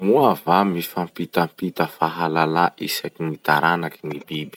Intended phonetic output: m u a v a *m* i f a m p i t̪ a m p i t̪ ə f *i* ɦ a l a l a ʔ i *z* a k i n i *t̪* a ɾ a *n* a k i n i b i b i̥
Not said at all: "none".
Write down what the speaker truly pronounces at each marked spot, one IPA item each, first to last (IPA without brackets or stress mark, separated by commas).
m, a, s, t̪, n